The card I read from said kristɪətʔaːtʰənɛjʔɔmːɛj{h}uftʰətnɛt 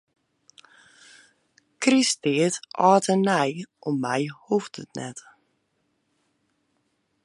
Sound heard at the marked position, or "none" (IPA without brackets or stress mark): h